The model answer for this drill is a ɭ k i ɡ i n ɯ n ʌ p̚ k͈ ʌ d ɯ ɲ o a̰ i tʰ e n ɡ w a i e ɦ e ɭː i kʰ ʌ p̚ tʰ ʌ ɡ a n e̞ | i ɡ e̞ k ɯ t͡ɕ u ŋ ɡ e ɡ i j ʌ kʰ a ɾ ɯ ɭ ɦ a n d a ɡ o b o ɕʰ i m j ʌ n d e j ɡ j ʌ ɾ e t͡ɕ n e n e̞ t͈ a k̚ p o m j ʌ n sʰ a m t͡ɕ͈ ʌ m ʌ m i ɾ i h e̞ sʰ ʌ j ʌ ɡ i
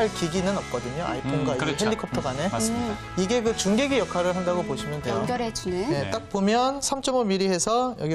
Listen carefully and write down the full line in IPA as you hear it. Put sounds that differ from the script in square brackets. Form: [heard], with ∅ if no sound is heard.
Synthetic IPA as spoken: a ɭ k i ɡ i n ɯ n ʌ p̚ k͈ ʌ d ɯ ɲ o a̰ i [pʰ] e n ɡ w a i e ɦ e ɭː i kʰ ʌ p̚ tʰ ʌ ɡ a n e̞ | i ɡ e̞ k ɯ t͡ɕ u ŋ ɡ e ɡ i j ʌ kʰ a ɾ ɯ ɭ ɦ a n d a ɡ o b o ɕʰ i m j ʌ n d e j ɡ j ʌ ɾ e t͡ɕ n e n e̞ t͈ a k̚ p o m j ʌ n sʰ a m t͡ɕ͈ ʌ m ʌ m i ɾ i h e̞ sʰ ʌ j ʌ ɡ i